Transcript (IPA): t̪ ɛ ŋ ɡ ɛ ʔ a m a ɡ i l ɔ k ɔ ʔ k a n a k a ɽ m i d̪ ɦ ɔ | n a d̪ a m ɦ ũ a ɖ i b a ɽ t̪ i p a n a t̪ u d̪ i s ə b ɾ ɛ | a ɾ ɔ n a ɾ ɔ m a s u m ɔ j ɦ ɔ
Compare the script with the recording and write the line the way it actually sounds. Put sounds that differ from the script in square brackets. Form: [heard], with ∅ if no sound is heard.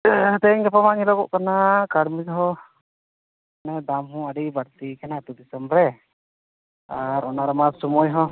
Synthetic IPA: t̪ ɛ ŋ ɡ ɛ [p] a m a [ŋ] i l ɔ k ɔ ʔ k a n a k a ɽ m i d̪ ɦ ɔ | n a d̪ a m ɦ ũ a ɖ i b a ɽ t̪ i [k] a n a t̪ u d̪ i s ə [m] ɾ ɛ | a ɾ ɔ n a ɾ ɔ m a s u m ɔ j ɦ ɔ